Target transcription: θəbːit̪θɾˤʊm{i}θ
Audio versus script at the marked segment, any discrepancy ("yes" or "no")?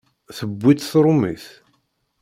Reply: no